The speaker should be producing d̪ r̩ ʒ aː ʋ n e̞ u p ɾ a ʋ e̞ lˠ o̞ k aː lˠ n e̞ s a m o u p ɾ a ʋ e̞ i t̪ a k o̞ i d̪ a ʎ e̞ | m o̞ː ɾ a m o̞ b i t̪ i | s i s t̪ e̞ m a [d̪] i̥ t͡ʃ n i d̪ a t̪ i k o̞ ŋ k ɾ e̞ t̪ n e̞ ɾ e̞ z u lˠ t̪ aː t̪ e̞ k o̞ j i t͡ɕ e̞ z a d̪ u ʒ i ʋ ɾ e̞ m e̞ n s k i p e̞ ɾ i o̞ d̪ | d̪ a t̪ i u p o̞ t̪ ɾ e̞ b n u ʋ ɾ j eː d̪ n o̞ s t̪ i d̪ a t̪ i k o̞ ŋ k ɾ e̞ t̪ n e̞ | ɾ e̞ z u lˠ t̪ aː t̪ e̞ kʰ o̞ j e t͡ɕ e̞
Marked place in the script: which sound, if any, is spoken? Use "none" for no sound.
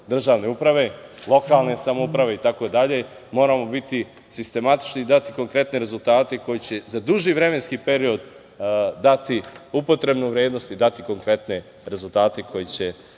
t̪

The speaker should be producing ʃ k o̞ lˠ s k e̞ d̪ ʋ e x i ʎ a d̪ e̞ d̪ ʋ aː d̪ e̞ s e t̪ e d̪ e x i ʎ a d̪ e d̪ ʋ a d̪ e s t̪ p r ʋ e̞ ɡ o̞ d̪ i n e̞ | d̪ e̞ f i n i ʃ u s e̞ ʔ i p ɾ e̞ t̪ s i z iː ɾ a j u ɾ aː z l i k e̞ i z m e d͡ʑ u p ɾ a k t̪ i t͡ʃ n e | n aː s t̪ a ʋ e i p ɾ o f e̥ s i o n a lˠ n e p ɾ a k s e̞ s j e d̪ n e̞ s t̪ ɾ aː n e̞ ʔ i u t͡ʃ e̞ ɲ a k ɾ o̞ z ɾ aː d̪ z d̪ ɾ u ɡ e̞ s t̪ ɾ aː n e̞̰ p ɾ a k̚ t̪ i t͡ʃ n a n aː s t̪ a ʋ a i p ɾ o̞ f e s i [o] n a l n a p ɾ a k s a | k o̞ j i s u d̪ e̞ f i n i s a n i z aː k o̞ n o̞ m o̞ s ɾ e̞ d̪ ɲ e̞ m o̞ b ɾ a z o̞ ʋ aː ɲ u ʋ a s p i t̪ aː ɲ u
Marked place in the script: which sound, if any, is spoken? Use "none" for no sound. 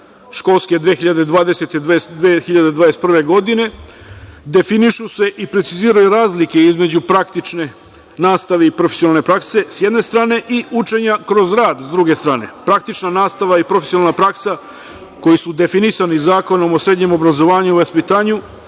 o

